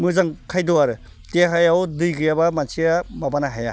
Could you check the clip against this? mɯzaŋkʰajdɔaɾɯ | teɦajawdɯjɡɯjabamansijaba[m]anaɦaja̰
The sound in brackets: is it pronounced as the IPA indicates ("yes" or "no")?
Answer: no